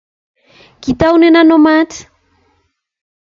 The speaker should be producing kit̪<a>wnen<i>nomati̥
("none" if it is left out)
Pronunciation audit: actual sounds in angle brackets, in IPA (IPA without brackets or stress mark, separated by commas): a, a